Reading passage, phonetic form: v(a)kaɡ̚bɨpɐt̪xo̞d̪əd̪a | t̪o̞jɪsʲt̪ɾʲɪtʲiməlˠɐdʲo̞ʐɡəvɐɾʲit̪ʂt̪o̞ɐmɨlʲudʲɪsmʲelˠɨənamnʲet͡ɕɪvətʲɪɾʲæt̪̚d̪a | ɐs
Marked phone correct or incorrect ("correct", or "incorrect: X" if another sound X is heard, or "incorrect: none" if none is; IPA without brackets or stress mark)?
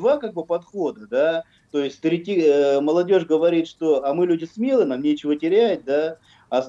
correct